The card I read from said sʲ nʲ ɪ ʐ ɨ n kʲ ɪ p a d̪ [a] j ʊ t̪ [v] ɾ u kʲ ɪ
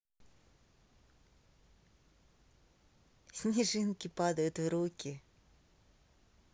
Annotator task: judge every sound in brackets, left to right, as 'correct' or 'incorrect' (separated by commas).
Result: incorrect, correct